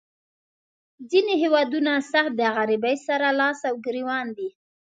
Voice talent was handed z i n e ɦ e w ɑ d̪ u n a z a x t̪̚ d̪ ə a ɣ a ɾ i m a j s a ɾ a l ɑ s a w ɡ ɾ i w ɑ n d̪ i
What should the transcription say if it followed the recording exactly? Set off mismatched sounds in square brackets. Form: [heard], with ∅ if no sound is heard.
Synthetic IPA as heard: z i n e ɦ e w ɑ d̪ u n a [s] a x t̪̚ d̪ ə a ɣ a ɾ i [b] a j s a ɾ a l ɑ s a w ɡ ɾ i w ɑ n d̪ i

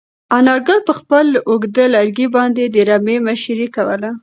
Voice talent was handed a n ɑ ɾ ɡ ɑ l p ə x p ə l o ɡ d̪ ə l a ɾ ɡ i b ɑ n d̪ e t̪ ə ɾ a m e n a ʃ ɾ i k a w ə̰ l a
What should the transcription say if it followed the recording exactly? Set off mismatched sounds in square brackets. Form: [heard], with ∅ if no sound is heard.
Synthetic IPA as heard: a n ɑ ɾ ɡ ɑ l p ə x p ə l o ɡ d̪ ə l a ɾ ɡ i b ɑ n d̪ e [d̪] ə ɾ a m e [m] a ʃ ɾ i k a w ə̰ l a

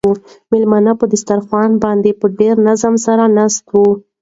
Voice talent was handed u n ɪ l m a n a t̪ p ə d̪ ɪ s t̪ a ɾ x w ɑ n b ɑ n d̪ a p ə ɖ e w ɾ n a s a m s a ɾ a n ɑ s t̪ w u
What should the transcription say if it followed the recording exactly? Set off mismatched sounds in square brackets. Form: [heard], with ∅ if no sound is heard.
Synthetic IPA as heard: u [m] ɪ l m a n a [∅] p ə d̪ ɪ s t̪ a ɾ x w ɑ n b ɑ n d̪ [e] p ə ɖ e [∅] ɾ n a [z] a m s a ɾ a n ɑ s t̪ w u

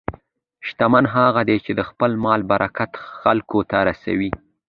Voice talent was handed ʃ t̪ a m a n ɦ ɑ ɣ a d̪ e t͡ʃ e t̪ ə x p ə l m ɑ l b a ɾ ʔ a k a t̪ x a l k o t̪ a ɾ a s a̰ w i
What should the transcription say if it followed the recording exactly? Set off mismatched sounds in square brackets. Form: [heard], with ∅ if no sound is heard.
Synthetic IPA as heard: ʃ t̪ a m a n ɦ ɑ ɣ a d̪ e t͡ʃ e [d̪] ə x p ə l m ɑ l b a ɾ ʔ a k a t̪ x a l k o t̪ a ɾ a s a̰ w i

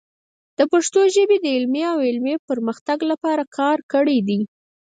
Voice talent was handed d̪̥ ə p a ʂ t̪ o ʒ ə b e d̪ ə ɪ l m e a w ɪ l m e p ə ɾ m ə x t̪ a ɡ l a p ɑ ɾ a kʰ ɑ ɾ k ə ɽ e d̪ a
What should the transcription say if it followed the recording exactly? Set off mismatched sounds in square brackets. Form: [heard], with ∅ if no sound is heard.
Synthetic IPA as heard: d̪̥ ə p a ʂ t̪ o ʒ ə b e d̪ ə ɪ l m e a w ɪ l m e p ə ɾ m ə x t̪ a ɡ l a p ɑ ɾ a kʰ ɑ ɾ k ə ɽ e d̪ [i]

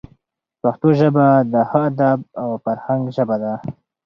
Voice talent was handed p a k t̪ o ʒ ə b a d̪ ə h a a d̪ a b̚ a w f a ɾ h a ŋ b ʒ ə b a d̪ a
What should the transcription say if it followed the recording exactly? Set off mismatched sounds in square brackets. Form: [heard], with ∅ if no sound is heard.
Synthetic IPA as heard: p a [x] t̪ o ʒ ə b a d̪ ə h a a d̪ a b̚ a w f a ɾ h a ŋ [ɡ] ʒ ə b a d̪ a

